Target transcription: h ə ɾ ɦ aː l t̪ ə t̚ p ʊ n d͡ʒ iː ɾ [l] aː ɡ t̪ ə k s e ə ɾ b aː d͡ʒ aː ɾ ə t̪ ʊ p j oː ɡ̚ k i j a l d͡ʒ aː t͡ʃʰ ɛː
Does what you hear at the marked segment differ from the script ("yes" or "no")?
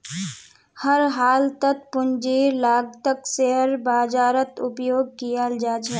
no